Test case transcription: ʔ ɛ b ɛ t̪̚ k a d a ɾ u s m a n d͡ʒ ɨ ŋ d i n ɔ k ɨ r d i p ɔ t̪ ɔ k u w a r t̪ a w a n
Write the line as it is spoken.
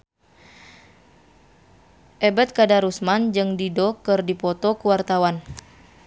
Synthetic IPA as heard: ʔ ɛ b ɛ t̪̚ k a d a ɾ u s m a n d͡ʒ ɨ ŋ d i d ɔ k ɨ r d i p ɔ t̪ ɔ k u w a r t̪ a w a n